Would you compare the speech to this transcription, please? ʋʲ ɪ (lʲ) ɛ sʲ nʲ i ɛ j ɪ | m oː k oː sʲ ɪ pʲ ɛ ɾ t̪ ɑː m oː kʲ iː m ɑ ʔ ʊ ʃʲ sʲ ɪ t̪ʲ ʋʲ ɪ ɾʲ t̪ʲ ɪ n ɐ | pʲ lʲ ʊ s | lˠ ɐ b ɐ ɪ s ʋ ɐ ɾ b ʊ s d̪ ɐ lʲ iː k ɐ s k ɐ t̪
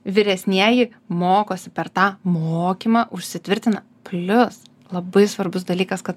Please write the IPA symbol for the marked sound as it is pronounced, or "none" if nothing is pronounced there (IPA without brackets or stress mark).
ɾʲ